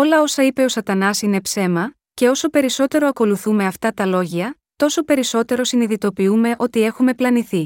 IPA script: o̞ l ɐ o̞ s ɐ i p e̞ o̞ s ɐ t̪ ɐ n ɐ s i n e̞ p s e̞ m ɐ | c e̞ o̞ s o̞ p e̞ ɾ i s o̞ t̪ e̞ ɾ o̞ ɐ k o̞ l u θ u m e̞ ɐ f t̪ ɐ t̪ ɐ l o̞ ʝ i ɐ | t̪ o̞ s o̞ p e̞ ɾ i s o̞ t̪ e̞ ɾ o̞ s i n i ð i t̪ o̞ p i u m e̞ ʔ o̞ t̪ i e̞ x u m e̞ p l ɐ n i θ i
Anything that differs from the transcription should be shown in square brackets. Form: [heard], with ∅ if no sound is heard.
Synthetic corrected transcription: o̞ l ɐ o̞ s ɐ i p e̞ o̞ s ɐ t̪ ɐ n ɐ s i n e̞ p s e̞ m ɐ | c e̞ o̞ s o̞ p e̞ ɾ i s o̞ t̪ e̞ ɾ o̞ ɐ k o̞ l u θ u m e̞ ɐ f t̪ ɐ t̪ ɐ l o̞ ʝ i ɐ | t̪ o̞ s o̞ p e̞ ɾ i s o̞ t̪ e̞ ɾ o̞ s i n i ð i t̪ o̞ p i u m e̞ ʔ o̞ t̪ i e̞ x u m e̞ p l ɐ n i θ i